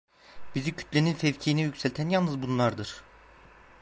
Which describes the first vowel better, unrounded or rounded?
unrounded